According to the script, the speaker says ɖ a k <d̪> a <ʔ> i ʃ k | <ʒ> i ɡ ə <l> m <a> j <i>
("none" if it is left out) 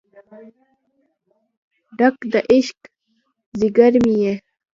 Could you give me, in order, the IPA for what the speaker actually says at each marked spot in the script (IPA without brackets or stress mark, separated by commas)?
d̪, ʔ, z, ɾ, i, e